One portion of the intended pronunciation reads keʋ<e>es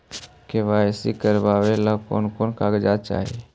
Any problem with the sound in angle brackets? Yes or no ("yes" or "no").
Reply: yes